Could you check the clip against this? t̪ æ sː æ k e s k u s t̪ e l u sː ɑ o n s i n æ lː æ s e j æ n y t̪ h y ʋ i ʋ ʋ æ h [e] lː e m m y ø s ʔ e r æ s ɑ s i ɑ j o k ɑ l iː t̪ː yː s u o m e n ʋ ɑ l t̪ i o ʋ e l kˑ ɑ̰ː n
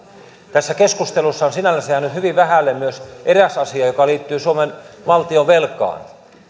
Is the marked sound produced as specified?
no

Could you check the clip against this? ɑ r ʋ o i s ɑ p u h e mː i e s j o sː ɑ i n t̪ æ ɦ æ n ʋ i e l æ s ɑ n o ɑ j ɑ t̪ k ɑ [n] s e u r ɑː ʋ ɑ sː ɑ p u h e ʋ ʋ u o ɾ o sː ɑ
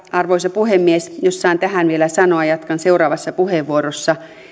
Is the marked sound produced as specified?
yes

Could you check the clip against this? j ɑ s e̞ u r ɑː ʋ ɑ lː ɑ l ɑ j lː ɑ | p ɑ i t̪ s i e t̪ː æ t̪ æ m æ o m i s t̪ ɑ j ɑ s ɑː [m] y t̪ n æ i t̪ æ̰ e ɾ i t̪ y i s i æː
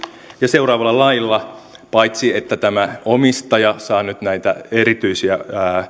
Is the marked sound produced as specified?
no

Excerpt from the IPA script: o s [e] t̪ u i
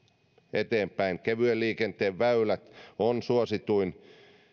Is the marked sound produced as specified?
no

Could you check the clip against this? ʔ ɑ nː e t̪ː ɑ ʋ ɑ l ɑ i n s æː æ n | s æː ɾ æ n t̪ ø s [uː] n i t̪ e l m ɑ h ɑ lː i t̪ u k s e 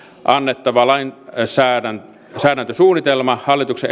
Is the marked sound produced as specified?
yes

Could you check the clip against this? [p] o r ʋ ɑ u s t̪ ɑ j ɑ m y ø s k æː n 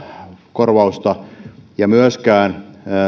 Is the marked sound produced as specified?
no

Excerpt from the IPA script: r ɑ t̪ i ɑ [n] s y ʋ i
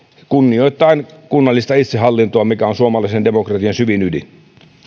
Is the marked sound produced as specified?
yes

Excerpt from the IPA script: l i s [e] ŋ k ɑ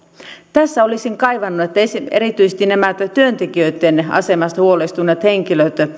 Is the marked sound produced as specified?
no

